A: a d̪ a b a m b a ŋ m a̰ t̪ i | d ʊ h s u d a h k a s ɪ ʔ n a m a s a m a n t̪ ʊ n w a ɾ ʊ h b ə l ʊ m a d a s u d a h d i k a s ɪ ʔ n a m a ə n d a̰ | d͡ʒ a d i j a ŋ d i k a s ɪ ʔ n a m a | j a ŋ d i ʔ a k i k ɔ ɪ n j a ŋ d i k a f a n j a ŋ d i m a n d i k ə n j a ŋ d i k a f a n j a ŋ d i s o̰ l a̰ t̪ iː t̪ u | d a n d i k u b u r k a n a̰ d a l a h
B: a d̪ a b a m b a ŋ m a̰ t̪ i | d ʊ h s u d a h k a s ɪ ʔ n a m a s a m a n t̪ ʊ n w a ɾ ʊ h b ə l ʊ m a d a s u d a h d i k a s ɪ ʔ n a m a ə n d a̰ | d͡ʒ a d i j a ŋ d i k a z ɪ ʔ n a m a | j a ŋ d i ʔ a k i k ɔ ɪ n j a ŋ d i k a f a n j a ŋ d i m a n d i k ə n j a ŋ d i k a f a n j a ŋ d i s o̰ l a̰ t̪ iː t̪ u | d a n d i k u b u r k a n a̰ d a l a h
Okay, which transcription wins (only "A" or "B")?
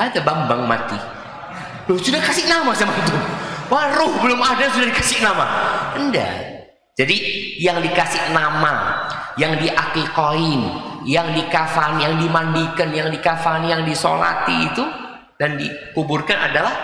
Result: A